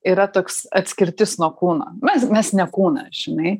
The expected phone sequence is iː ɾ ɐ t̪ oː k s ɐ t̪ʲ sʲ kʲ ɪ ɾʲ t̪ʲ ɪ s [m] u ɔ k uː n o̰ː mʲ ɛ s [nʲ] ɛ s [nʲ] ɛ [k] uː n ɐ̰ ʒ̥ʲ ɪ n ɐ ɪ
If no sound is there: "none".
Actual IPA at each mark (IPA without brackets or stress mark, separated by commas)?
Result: n, mʲ, nʲ, k